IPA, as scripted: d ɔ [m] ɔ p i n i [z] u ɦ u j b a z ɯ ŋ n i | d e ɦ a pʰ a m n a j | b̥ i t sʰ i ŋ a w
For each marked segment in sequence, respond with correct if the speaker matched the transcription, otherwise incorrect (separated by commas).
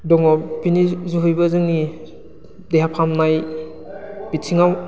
incorrect, correct